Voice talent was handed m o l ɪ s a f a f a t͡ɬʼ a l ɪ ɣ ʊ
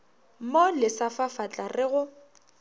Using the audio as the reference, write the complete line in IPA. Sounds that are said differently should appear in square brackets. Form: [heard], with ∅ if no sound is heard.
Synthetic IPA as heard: m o l ɪ s a f a f a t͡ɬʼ a [r] ɪ ɣ ʊ